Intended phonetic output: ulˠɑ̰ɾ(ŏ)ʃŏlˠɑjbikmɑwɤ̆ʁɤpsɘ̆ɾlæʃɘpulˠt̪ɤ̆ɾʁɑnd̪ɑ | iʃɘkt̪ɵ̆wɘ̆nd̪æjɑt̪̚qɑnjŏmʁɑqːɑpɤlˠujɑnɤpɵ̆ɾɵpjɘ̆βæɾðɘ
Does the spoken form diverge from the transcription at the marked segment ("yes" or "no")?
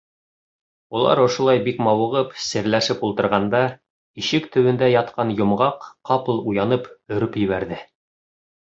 no